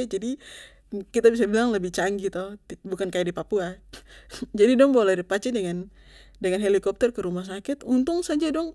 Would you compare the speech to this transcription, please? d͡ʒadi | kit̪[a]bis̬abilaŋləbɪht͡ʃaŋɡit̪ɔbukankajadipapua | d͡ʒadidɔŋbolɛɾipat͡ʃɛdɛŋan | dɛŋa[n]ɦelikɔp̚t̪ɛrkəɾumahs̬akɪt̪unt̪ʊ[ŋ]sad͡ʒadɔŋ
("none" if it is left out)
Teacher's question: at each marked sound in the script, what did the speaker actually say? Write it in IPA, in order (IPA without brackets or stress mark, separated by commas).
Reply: a, n, ŋ